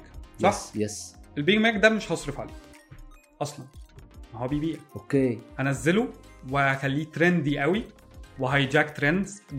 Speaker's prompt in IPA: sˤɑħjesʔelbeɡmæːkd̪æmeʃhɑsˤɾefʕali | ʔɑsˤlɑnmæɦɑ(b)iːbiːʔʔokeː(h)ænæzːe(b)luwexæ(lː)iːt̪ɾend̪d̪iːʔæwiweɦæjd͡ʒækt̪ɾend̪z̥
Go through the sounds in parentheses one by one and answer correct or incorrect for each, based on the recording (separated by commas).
correct, correct, incorrect, correct